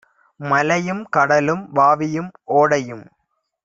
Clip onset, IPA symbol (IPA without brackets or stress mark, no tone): m